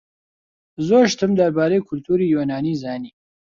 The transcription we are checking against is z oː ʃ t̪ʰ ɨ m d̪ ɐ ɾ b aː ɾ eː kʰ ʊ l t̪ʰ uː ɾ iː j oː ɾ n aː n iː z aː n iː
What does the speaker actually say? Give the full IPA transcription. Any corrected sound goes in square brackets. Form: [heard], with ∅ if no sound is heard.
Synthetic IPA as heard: z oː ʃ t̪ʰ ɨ m d̪ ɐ ɾ b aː ɾ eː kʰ ʊ l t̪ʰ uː ɾ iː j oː [∅] n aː n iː z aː n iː